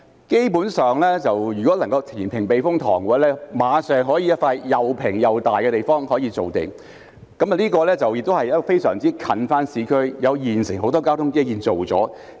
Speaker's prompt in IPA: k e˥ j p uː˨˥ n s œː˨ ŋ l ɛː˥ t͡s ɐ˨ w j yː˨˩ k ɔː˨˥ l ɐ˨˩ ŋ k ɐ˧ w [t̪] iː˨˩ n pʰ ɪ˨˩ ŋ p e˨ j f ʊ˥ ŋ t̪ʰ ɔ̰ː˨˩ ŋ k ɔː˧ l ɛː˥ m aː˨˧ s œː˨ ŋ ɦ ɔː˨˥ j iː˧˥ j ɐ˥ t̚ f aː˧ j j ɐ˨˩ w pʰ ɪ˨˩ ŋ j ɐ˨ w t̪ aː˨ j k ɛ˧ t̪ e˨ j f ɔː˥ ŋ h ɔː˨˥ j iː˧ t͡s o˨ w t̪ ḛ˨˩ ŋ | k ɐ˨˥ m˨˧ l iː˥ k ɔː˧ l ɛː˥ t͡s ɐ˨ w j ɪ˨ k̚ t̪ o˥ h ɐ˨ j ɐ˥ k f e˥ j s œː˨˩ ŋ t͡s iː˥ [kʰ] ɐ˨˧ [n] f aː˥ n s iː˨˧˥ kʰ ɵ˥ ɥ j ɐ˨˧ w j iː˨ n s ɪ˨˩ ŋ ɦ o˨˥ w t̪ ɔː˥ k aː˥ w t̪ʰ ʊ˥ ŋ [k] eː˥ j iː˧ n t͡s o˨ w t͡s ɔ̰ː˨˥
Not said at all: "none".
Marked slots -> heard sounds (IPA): t̪ʰ, kʰ, n, k

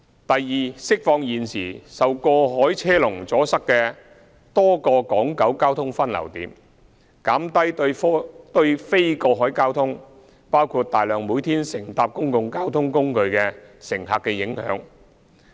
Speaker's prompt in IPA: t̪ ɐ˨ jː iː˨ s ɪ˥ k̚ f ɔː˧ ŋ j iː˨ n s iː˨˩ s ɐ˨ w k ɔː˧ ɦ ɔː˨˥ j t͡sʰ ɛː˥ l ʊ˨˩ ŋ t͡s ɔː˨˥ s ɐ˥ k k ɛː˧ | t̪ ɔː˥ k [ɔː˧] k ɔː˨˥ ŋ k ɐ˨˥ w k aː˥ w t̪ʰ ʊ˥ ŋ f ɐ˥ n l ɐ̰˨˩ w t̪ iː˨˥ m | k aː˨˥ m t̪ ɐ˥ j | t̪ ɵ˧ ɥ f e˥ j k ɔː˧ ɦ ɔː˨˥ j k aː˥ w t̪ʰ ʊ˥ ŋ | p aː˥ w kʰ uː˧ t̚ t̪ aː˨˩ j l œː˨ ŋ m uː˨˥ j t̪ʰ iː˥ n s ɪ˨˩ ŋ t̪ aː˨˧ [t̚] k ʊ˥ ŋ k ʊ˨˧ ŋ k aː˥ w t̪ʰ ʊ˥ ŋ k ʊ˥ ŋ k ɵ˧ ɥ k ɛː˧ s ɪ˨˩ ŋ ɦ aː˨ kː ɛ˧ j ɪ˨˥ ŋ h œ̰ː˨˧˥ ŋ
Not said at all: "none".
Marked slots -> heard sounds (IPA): ɔː˧, p̚

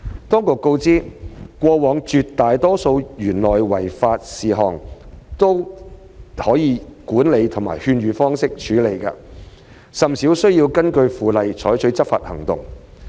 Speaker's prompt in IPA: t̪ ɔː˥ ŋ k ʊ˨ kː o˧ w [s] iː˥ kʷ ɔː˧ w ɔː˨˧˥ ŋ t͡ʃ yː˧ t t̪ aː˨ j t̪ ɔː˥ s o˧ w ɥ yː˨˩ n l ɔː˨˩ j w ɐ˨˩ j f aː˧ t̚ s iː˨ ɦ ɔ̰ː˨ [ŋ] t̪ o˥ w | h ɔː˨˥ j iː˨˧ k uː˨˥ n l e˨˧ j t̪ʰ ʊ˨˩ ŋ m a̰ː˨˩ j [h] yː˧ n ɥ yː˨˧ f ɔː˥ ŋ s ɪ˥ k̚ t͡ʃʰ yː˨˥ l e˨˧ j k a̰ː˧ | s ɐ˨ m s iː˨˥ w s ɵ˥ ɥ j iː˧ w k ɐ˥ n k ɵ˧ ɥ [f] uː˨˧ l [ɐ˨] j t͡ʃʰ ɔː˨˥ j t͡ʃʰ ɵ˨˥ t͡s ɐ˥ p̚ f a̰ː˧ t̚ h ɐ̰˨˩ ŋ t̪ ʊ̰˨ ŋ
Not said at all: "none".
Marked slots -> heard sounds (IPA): t͡s, ŋ, h, f, ɐ˨

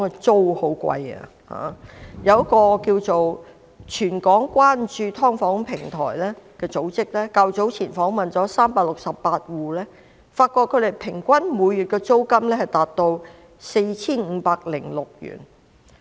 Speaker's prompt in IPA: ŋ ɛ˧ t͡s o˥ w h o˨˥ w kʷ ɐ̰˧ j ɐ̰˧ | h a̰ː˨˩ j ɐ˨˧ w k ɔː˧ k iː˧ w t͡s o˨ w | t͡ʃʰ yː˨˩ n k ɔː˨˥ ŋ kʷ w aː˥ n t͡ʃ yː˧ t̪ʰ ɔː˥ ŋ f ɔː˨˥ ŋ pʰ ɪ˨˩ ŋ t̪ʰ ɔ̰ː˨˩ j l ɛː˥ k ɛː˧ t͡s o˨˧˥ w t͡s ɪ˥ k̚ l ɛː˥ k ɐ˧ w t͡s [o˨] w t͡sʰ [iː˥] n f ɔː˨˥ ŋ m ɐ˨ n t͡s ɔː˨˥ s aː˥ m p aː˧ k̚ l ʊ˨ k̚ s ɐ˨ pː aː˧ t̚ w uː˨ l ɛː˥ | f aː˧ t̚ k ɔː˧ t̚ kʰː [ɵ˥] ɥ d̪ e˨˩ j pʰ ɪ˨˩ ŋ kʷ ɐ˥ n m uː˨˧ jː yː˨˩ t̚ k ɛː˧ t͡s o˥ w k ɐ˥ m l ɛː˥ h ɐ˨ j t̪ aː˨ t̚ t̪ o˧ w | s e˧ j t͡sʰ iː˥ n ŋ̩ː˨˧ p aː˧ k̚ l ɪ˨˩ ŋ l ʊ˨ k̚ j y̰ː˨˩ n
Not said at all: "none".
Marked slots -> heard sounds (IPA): o˨˥, iː˨˩, ɵ˨˧

